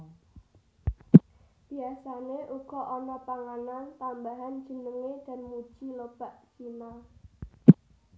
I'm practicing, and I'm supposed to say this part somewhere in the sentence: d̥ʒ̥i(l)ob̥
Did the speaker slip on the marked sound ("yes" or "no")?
no